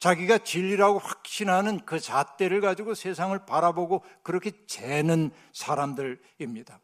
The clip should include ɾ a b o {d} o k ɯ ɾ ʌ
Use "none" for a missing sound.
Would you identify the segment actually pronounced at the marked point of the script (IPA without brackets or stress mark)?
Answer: ɡ